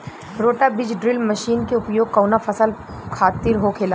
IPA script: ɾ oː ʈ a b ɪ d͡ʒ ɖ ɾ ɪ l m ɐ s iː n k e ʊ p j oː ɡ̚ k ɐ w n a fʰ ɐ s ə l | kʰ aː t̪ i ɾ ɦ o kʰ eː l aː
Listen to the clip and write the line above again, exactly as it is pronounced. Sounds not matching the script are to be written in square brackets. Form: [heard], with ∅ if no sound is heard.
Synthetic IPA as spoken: ɾ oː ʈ a b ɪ d͡ʒ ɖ ɾ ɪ l m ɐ [ʃ] iː n k e ʊ p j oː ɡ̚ k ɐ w n a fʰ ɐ s ə l | kʰ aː t̪ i ɾ ɦ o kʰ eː l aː

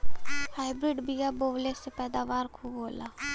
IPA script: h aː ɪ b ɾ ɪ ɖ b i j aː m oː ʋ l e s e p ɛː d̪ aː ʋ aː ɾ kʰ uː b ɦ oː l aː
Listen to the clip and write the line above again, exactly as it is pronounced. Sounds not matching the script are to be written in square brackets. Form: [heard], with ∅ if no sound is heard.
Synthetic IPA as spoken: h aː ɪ b ɾ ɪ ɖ b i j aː [b] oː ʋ l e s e p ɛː d̪ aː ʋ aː ɾ kʰ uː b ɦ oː l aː

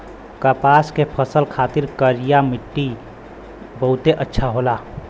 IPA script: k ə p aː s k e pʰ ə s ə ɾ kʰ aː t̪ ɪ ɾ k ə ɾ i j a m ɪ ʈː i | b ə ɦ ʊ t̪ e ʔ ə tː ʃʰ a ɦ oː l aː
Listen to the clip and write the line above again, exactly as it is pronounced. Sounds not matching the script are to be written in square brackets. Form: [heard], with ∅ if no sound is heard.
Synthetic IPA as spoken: k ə p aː s k e pʰ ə s ə [l] kʰ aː t̪ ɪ ɾ k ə ɾ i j a m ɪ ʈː i | b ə ɦ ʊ t̪ e ʔ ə tː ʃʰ a ɦ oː l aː

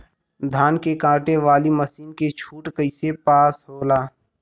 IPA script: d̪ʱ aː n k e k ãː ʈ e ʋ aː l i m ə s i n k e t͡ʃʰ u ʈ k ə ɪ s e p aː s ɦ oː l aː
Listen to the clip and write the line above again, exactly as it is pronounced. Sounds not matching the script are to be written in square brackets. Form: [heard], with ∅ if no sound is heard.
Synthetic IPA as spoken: d̪ʱ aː n k e k ãː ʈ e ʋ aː l i m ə s [iː] n k e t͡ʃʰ [uː] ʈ k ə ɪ s e p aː s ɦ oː l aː

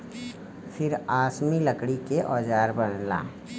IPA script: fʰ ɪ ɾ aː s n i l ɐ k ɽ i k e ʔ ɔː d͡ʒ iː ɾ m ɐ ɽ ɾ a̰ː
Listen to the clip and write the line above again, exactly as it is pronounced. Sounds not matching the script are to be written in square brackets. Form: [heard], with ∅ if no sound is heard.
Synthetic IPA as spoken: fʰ ɪ ɾ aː s [m] i l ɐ k ɽ i k e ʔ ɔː d͡ʒ [aː] ɾ [b] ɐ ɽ [l] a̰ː

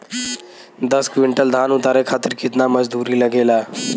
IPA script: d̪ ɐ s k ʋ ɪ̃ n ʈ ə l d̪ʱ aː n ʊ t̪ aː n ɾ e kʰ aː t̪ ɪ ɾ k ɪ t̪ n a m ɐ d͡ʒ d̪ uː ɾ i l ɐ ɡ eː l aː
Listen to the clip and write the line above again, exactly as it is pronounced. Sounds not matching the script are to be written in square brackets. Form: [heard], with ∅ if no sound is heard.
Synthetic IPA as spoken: d̪ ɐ s k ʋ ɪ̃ [ɳ] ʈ ə l d̪ʱ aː n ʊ t̪ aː [∅] ɾ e kʰ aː t̪ ɪ ɾ k ɪ t̪ n a m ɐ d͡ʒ d̪ uː ɾ i l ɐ ɡ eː l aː

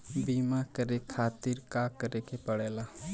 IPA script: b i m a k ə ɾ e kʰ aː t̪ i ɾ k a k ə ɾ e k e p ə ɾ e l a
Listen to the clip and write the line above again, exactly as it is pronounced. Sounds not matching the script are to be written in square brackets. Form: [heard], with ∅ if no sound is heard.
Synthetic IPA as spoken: b i m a k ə ɾ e kʰ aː t̪ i ɾ k a k ə ɾ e k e p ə [ɽ] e l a

